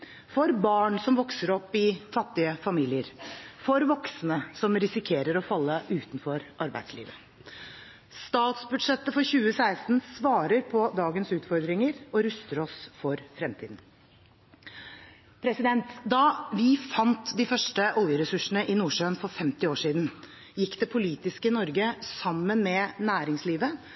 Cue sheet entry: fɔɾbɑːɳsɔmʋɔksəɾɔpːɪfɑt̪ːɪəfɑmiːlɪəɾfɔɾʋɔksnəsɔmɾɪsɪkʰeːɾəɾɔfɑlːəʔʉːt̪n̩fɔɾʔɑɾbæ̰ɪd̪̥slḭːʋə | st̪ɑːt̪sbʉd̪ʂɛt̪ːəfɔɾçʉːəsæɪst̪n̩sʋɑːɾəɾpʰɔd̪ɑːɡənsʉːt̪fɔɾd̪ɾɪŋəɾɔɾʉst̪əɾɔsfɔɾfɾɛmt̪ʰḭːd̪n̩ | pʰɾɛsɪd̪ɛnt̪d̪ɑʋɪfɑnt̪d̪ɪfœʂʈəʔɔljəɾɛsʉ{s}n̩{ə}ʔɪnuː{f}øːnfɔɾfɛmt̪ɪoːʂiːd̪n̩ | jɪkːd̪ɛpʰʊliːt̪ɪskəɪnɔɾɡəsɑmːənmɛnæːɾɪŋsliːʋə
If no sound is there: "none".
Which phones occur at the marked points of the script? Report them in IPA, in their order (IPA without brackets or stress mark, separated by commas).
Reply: ʂ, ə, ʂ